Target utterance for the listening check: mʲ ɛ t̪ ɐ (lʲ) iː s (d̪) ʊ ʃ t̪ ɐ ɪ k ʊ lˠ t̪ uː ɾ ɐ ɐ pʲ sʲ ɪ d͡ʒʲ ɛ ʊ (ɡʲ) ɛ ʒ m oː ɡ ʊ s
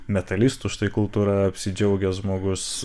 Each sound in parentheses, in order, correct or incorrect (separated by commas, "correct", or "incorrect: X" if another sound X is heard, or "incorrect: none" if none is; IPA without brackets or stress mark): correct, incorrect: t̪, correct